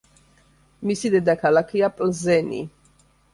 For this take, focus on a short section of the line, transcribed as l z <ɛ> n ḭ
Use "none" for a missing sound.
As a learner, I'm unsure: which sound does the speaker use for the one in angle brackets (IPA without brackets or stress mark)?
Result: ɛ